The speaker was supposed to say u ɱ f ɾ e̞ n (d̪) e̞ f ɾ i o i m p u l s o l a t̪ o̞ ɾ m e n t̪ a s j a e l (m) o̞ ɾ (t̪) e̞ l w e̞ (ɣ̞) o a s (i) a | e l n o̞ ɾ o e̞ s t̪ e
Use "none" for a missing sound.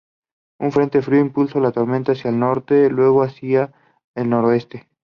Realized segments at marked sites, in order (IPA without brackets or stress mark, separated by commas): t̪, n, t̪, ɣ̞, i